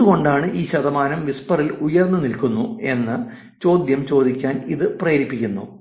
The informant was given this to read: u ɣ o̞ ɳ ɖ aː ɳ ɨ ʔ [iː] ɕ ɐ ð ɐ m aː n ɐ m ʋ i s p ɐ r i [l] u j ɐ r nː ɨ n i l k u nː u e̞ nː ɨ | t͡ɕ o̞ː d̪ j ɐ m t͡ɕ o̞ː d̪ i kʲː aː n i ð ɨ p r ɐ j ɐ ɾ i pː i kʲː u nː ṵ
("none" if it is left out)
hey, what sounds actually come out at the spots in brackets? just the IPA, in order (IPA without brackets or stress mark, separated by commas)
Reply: iː, l